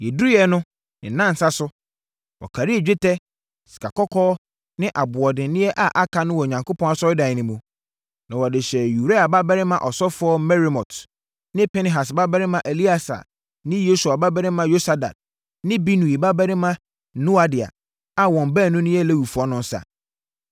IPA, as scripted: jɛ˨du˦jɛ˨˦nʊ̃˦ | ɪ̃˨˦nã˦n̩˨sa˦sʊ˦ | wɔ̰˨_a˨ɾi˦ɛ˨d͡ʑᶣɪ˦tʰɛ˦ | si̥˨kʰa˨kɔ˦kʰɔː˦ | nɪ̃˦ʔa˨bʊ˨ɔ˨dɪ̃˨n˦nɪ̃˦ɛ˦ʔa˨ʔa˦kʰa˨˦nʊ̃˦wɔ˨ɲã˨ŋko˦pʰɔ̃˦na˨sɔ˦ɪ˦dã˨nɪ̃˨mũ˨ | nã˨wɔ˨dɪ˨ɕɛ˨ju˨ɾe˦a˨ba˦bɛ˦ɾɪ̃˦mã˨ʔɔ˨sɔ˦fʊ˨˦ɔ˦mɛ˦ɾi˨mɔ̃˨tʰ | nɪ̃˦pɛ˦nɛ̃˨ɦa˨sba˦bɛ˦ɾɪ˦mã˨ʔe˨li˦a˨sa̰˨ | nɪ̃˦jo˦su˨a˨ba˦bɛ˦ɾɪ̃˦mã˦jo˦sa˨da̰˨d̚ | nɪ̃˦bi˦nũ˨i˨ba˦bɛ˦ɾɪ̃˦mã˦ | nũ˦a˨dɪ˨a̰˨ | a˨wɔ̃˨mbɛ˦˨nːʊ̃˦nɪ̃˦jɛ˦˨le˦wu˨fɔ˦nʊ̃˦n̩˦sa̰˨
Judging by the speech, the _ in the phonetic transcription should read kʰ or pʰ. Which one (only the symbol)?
kʰ